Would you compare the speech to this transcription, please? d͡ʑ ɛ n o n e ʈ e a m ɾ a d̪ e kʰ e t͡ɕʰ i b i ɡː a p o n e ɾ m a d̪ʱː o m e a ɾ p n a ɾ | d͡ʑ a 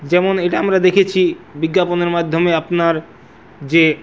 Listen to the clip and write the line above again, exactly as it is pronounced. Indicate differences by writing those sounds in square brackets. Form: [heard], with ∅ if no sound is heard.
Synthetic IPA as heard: d͡ʑ ɛ [m] o n e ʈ [a] a m ɾ a d̪ e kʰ e t͡ɕʰ i b i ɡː a p o n e ɾ m a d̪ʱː o m e a [∅] p n a ɾ | d͡ʑ [e]